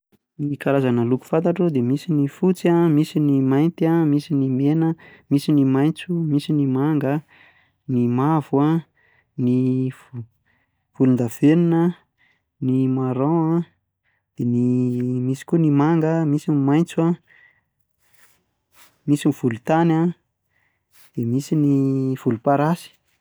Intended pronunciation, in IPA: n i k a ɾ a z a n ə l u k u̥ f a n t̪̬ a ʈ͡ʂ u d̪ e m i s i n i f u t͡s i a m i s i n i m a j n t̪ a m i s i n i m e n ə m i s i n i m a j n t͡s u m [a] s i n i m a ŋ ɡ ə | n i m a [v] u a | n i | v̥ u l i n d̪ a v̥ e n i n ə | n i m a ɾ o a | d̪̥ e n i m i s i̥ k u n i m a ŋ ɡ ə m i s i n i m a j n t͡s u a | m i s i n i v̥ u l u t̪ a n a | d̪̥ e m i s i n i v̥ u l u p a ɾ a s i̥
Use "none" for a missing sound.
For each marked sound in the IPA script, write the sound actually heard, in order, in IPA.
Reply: i, v

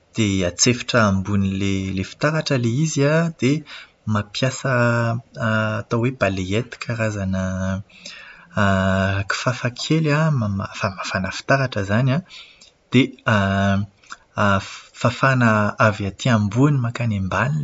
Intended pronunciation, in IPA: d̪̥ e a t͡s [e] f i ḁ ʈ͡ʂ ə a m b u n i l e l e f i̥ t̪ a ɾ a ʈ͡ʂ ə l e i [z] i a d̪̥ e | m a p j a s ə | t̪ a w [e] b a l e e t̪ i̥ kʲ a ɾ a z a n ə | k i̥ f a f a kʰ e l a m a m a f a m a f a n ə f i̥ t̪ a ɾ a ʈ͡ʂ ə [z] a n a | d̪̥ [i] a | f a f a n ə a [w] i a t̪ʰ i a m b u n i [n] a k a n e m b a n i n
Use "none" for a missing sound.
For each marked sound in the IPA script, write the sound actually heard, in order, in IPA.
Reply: e, z, e, z, e, v, m

